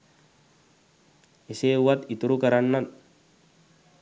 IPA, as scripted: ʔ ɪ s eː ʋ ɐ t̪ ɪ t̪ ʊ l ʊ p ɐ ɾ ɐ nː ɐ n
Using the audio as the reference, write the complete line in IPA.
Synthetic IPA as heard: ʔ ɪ s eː w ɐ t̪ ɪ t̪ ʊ ɾ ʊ k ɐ ɾ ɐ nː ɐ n